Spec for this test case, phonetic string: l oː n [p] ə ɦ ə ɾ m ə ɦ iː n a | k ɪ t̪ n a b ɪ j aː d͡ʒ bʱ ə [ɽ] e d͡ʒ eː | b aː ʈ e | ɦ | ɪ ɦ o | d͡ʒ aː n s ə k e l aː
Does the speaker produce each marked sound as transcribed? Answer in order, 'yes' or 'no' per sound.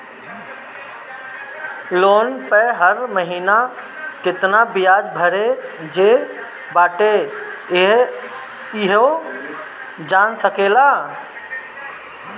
yes, no

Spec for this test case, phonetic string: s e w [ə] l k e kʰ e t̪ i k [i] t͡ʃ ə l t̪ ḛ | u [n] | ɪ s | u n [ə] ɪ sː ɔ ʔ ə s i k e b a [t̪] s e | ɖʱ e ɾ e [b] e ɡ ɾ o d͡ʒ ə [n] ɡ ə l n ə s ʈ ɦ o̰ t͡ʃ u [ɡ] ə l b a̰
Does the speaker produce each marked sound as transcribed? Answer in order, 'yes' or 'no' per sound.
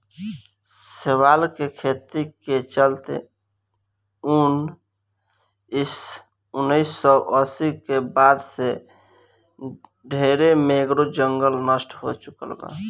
no, no, yes, yes, no, no, no, no

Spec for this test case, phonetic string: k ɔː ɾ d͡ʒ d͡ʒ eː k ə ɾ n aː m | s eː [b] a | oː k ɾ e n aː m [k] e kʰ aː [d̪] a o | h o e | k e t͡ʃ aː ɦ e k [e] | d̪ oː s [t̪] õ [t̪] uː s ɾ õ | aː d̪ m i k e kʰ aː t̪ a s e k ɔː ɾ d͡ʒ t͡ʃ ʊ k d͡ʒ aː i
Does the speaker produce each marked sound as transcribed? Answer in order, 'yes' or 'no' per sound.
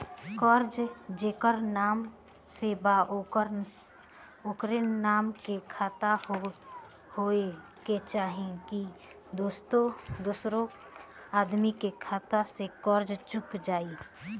yes, yes, no, no, yes, no

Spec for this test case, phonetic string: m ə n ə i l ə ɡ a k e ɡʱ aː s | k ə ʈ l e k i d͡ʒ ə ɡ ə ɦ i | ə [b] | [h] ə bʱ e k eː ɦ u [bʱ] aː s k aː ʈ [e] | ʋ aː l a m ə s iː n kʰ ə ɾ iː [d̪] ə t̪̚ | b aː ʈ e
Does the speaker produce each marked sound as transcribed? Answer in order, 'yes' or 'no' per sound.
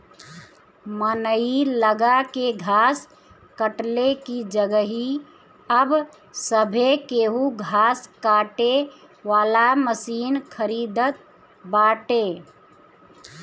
yes, no, no, yes, yes

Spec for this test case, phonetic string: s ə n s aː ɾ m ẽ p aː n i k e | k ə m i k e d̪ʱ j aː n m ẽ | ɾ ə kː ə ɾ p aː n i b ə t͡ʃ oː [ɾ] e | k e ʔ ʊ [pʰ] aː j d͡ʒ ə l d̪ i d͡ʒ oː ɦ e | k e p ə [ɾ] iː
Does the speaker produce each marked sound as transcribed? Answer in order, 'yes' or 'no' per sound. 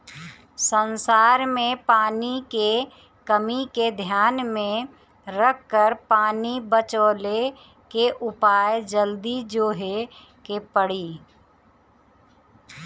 no, no, no

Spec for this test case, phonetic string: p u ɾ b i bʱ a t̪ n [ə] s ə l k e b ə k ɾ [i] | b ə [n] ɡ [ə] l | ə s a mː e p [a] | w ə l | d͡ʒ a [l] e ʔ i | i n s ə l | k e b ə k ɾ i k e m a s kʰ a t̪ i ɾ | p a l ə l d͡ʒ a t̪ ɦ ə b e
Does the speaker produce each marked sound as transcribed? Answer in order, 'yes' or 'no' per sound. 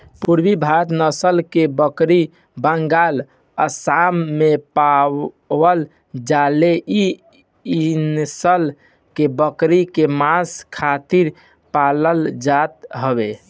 yes, yes, no, no, yes, yes

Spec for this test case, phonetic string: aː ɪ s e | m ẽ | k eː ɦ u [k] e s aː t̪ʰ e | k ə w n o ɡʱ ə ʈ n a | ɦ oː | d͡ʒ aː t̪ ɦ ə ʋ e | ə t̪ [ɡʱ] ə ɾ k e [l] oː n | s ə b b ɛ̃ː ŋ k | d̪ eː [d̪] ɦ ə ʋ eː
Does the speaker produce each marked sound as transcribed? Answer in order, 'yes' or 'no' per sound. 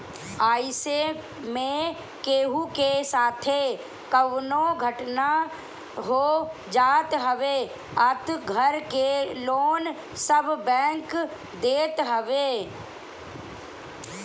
yes, yes, yes, no

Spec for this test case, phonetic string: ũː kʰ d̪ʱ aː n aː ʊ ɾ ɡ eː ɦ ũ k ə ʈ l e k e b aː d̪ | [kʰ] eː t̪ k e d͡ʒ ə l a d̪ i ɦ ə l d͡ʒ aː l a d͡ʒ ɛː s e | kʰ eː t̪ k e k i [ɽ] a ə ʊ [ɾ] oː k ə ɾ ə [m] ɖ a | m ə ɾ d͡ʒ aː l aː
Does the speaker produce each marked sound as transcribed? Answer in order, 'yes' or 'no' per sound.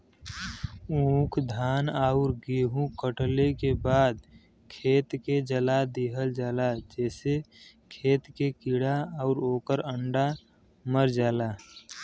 yes, yes, yes, no

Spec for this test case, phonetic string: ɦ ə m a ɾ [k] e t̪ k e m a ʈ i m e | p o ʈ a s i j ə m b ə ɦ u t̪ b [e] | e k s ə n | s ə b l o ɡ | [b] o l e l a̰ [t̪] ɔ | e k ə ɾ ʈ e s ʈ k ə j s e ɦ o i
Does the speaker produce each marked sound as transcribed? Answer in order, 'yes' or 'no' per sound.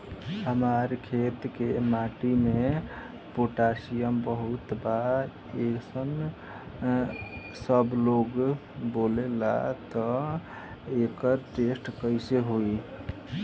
no, no, yes, yes

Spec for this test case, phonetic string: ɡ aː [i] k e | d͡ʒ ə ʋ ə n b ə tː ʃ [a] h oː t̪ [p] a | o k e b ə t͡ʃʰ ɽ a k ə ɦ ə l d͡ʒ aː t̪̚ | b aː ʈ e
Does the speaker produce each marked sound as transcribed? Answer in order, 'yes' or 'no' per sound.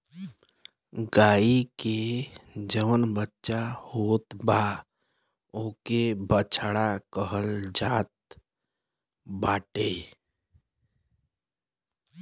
yes, yes, no

